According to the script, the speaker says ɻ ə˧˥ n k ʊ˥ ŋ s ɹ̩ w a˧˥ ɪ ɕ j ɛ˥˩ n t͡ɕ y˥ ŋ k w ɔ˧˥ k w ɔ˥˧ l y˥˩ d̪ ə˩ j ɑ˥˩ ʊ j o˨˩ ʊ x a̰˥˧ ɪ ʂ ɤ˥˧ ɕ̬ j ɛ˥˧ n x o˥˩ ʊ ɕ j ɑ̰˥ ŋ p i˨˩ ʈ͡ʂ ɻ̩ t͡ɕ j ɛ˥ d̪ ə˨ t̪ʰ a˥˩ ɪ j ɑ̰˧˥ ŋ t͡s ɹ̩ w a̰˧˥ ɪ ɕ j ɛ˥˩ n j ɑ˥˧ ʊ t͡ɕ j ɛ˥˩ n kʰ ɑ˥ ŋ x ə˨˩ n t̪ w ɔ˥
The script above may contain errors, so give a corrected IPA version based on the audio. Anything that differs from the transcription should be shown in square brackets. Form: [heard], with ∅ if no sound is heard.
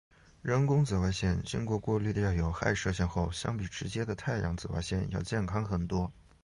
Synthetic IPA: ɻ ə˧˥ n k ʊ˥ ŋ [t͡s] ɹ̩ w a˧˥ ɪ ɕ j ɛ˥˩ n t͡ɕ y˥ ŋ k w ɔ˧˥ k w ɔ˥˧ l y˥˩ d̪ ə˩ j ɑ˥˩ ʊ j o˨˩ ʊ x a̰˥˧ ɪ ʂ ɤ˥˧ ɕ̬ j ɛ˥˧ n x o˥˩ ʊ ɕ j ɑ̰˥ ŋ p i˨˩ ʈ͡ʂ ɻ̩ t͡ɕ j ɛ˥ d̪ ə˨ t̪ʰ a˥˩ ɪ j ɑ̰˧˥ ŋ t͡s ɹ̩ w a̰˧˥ ɪ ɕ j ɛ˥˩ n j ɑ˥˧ ʊ t͡ɕ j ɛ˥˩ n kʰ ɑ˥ ŋ x ə˨˩ n t̪ w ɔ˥